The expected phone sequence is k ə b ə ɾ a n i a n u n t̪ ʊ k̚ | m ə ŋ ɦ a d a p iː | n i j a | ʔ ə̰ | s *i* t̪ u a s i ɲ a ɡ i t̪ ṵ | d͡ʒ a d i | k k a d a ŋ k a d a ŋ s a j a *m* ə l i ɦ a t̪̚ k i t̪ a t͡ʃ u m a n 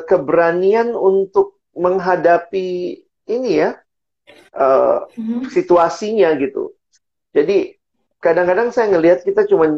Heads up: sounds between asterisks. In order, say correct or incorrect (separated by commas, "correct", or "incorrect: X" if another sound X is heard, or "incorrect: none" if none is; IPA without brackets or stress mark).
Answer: correct, incorrect: ŋ